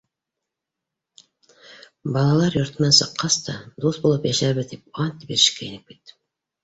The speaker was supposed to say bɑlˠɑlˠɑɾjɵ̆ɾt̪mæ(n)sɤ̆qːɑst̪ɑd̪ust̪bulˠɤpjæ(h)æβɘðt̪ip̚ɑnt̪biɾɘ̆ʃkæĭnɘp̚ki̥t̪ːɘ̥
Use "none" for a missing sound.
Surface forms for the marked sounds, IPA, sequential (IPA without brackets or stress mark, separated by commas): n, ʃ